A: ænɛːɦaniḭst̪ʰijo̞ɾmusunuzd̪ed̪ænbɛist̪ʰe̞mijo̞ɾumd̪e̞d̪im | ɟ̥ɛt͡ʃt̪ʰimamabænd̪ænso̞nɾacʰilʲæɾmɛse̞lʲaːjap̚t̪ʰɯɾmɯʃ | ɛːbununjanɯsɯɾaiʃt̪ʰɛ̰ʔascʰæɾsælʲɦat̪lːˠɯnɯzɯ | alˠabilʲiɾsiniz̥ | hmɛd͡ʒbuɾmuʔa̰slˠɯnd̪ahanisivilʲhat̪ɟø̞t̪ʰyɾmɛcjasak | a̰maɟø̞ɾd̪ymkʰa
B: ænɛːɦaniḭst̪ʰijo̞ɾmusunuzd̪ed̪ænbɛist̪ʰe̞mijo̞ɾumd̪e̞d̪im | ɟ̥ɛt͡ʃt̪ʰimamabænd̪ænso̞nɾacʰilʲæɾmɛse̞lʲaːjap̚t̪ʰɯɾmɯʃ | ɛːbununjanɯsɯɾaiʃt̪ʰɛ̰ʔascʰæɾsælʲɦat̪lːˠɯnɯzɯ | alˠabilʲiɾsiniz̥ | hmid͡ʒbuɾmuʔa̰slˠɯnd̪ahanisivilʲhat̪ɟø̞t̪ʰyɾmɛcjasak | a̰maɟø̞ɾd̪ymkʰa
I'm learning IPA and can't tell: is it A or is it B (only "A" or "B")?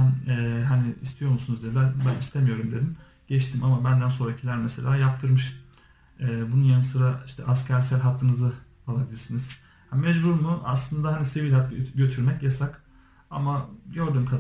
A